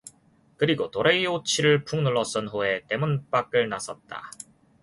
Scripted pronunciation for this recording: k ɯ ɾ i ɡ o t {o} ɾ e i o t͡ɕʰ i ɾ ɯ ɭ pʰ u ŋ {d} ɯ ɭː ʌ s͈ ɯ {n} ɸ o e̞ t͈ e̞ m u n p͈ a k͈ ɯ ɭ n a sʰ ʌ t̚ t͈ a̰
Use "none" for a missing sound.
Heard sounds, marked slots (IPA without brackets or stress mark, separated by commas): o, n, n